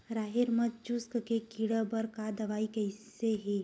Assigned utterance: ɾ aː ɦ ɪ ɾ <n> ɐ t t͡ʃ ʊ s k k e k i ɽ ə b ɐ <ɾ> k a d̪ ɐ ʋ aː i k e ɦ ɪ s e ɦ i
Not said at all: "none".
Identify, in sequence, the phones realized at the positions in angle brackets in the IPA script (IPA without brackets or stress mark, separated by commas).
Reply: m, ɾ